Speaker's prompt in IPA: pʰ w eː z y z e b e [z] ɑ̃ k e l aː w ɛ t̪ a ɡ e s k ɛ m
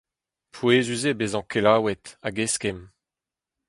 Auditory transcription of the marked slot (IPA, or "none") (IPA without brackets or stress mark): z